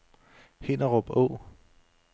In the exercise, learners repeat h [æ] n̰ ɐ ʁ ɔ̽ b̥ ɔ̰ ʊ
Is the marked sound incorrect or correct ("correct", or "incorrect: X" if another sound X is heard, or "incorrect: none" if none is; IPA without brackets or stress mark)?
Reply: incorrect: e